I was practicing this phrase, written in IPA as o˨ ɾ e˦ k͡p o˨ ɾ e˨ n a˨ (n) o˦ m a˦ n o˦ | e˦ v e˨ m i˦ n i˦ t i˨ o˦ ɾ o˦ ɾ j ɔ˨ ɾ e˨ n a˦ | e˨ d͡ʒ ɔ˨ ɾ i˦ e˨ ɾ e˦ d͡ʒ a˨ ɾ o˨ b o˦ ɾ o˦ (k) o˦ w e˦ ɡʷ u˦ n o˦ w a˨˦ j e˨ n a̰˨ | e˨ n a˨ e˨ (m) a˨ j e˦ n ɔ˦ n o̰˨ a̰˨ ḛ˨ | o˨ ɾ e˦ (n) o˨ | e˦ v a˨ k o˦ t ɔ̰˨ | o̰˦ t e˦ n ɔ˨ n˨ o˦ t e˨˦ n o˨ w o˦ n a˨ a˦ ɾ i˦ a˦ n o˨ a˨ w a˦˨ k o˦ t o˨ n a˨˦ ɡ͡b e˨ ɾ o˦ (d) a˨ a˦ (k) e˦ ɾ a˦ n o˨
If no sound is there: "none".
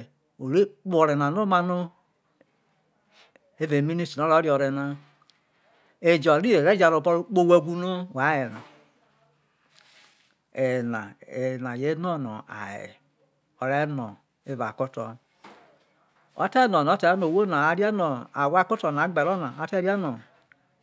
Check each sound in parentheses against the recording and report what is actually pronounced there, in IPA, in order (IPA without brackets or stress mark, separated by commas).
n, k͡p, n, n, n, t